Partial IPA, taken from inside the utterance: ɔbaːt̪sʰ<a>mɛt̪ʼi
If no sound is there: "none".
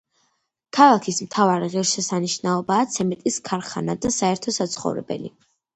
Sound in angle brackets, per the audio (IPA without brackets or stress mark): ɛ